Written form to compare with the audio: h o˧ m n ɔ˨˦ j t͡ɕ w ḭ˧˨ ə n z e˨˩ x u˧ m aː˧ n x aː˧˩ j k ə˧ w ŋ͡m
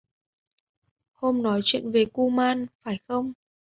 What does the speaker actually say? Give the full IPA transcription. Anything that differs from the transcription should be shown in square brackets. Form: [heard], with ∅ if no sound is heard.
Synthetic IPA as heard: h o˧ m n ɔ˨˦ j t͡ɕ w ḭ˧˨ ə n [v] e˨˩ [k] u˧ m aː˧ n [f] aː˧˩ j [x] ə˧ w ŋ͡m